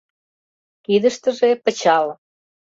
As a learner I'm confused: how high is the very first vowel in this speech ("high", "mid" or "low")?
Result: high